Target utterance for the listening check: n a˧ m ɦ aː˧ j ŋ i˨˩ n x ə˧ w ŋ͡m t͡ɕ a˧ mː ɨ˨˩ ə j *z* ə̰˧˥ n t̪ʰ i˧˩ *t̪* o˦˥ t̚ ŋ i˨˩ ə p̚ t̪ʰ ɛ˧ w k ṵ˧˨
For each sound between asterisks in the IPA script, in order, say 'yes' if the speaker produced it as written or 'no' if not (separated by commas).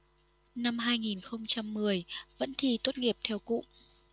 no, yes